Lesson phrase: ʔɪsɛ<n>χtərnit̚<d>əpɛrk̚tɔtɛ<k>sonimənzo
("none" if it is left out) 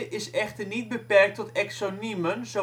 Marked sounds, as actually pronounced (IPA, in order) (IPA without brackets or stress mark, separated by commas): none, b, k